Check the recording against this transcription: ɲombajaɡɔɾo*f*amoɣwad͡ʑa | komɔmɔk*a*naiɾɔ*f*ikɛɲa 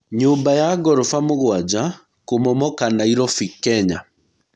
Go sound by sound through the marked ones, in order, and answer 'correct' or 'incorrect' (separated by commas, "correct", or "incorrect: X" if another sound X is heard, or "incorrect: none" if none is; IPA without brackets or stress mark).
correct, correct, correct